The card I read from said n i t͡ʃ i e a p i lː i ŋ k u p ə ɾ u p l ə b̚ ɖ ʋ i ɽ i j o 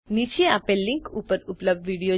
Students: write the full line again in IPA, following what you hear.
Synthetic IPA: n i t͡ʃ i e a p e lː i ŋ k u p ə ɾ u p l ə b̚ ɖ ʋ i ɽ i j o

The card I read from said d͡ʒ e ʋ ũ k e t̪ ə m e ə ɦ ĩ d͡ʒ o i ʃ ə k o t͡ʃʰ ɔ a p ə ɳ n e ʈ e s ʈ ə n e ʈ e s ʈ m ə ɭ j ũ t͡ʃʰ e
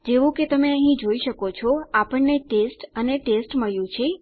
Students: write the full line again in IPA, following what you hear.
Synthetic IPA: d͡ʒ e ʋ ũ k e t̪ ə m e ə ɦ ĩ d͡ʒ o i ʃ ə k o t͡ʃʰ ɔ a p ə ɳ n e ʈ e s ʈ ə n e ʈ e s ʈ m ə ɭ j ũ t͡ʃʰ e

